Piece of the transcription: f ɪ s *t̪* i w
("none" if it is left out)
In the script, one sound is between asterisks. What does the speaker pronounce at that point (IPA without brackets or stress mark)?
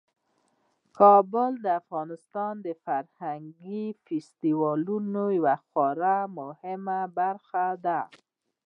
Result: t̪